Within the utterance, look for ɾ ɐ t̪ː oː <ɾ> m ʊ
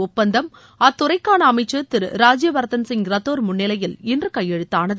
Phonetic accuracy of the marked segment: correct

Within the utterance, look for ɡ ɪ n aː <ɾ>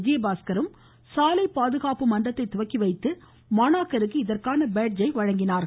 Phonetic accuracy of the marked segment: correct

